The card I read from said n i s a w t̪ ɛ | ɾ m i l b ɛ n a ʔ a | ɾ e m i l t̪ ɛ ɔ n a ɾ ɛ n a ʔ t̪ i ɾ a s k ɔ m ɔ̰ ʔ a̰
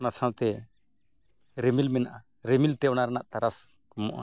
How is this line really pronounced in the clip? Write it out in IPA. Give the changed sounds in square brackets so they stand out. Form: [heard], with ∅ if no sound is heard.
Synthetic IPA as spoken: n [a] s a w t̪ ɛ | ɾ m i l [m] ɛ n a ʔ a | ɾ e m i l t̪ ɛ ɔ n a ɾ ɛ n a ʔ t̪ [a] ɾ a s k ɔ m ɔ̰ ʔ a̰